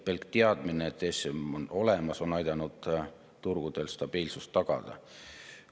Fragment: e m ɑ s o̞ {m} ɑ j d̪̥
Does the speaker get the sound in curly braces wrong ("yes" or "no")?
yes